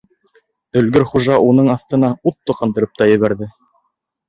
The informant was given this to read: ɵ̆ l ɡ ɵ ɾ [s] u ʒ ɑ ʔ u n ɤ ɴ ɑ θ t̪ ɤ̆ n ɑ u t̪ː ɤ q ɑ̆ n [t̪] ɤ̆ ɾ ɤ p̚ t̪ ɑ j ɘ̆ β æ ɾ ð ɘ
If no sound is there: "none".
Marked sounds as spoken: χ, d̪

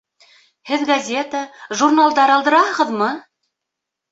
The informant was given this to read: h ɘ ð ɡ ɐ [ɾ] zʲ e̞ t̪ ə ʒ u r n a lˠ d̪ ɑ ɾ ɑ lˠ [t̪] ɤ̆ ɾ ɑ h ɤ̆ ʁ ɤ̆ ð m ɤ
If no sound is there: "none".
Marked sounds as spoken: none, d̪

